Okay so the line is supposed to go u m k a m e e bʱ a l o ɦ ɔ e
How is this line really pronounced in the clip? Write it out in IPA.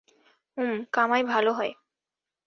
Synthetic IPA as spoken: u m k a m a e bʱ a l o ɦ ɔ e